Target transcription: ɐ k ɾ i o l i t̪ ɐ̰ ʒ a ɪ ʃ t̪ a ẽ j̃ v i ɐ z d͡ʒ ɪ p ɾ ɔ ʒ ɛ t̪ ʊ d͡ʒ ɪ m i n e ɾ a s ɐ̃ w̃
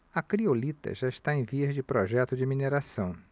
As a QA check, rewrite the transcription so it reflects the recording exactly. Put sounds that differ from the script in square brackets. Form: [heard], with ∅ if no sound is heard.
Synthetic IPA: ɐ k ɾ i o l i t̪ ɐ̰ ʒ a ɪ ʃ t̪ a ẽ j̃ v i ɐ z d͡ʒ ɪ p ɾ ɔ ʒ ɛ t̪ ʊ d͡ʒ ɪ m i n e ɾ a s ɐ̃ w̃